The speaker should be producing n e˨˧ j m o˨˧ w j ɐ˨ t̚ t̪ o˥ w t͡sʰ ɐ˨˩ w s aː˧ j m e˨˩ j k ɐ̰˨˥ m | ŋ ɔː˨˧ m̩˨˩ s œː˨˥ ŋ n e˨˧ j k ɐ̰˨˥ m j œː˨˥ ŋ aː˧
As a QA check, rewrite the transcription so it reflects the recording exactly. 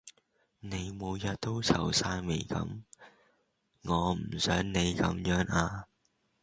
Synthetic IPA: n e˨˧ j m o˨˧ w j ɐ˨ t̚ t̪ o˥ w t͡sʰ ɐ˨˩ w s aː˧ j m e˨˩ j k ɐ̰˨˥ m | ŋ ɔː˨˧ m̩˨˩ s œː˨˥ ŋ n e˨˧ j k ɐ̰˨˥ m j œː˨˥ ŋ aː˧